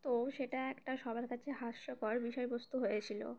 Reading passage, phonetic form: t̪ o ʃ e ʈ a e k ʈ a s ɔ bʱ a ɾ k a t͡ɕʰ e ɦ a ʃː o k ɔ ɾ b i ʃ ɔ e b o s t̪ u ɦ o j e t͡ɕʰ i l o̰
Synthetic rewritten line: t̪ o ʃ e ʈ a ɛ k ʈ a ʃ ɔ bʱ a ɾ k a t͡ɕʰ e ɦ a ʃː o k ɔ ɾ b i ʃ ɔ e b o s t̪ u ɦ o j e t͡ɕʰ i l o̰

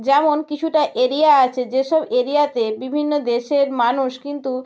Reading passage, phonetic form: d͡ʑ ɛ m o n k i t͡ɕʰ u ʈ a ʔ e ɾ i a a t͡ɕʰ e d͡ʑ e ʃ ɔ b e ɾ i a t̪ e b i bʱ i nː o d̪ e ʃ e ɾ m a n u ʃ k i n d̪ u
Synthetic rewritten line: d͡ʑ ɛ m o n k i t͡ɕʰ u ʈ a ʔ e ɾ i a a t͡ɕʰ e d͡ʑ e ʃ ɔ b e ɾ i a t̪ e b i bʱ i nː o d̪ e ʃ e ɾ m a n u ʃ k i n t̪ u

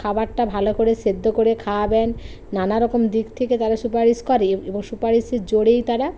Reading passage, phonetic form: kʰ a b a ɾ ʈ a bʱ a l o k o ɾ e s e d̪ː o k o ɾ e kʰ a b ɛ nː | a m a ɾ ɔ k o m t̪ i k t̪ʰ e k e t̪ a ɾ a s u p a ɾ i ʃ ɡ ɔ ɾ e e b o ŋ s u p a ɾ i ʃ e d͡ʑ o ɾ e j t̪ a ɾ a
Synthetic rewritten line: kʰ a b a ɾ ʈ a bʱ a l o k o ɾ e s e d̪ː o k o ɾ e kʰ a b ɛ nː | a n a ɾ ɔ k o m d̪ i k t̪ʰ e k e t̪ a ɾ a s u p a ɾ i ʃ k ɔ ɾ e e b o ŋ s u p a ɾ i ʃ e d͡ʑ o ɽ e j t̪ a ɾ a

